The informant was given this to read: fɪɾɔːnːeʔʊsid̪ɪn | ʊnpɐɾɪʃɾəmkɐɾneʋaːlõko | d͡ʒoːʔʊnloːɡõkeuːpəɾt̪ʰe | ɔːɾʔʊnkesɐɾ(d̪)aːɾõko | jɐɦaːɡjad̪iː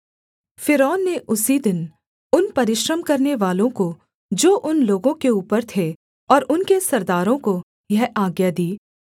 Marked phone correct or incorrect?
correct